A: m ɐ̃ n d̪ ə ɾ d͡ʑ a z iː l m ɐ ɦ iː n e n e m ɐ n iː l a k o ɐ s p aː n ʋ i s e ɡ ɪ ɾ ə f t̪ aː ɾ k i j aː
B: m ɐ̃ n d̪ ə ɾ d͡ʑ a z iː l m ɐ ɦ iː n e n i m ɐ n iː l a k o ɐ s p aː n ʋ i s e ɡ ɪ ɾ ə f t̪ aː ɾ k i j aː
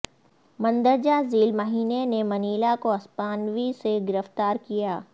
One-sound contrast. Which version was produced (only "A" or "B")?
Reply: A